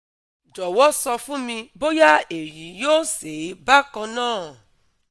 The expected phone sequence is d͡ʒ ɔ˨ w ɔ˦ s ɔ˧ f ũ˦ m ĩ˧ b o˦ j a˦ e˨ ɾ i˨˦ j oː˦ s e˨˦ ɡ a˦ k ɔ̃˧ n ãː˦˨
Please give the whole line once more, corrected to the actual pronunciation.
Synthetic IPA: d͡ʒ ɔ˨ w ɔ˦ s ɔ˧ f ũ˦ m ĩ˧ b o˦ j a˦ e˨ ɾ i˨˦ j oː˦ s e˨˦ b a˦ k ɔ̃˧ n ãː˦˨